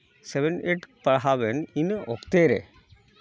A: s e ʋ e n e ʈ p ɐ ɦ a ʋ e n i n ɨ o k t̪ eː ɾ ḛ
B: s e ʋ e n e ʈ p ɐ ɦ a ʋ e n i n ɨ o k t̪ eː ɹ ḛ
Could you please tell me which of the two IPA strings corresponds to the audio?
A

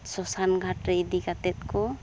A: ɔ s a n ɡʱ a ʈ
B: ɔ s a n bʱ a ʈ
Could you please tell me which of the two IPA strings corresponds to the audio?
A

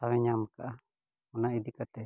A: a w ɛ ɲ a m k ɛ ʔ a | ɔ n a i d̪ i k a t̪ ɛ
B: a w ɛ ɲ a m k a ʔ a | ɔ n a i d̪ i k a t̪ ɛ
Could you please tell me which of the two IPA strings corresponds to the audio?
B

